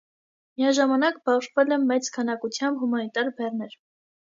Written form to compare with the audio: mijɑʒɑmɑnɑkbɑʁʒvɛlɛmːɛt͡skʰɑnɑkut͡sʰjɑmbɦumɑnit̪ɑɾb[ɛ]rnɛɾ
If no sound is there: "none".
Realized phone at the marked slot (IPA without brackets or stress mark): ɛ